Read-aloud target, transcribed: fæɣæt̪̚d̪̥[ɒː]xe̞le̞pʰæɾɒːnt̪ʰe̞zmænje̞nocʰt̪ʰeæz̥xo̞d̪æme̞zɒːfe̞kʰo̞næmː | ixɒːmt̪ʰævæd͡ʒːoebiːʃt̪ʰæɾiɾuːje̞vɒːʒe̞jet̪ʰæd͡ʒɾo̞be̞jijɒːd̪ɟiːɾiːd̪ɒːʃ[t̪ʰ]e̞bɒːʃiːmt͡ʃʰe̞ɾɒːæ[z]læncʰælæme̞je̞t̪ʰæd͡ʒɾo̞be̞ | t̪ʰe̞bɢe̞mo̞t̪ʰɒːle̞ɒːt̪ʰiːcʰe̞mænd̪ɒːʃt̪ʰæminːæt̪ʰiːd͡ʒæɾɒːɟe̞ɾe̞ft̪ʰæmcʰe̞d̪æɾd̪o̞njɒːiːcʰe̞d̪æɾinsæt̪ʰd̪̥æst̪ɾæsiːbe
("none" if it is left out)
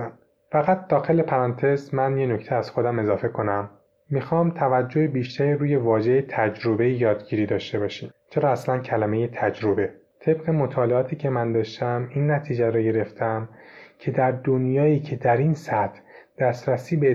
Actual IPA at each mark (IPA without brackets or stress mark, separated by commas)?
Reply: ɒː, t̪, s